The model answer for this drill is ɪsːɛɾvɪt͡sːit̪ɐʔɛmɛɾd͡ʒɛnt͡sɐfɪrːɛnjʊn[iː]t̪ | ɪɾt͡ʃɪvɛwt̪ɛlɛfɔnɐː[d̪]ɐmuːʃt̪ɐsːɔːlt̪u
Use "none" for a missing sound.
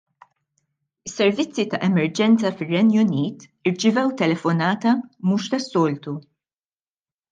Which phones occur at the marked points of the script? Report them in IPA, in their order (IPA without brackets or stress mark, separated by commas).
iː, t̪